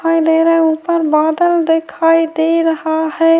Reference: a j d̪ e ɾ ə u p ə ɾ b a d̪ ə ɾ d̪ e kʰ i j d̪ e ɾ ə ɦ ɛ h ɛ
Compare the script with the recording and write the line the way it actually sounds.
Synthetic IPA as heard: a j d̪ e ɾ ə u p ə ɾ b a d̪ ə l d̪ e kʰ a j d̪ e ɾ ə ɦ a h ɛ